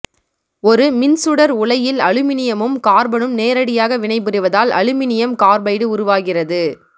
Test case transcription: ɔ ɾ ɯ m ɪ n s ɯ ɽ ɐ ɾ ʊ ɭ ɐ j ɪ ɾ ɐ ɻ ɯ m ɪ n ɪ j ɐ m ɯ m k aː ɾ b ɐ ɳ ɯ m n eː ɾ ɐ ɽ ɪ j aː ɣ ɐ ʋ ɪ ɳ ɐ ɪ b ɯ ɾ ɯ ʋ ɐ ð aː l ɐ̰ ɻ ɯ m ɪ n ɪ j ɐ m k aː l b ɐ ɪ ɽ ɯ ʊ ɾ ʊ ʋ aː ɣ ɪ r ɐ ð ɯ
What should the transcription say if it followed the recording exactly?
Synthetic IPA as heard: ɔ ɾ ɯ m ɪ n s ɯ ɽ ɐ ɾ ʊ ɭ ɐ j ɪ l ɐ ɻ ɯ m ɪ n ɪ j ɐ m ɯ m k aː ɾ b ɐ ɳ ɯ m n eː ɾ ɐ ɽ ɪ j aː ɣ ɐ ʋ ɪ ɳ ɐ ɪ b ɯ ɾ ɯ ʋ ɐ ð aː l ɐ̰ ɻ ɯ m ɪ n ɪ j ɐ m k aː ɾ b ɐ ɪ ɽ ɯ ʊ ɾ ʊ ʋ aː ɣ ɪ r ɐ ð ɯ